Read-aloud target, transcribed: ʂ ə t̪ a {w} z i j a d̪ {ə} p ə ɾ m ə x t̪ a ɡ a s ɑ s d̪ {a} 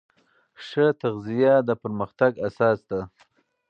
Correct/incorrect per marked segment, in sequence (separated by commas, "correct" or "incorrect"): incorrect, correct, correct